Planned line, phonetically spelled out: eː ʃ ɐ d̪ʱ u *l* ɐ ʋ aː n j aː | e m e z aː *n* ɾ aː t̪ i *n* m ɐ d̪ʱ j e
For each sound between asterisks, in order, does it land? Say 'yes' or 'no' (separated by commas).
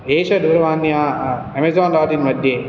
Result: no, yes, yes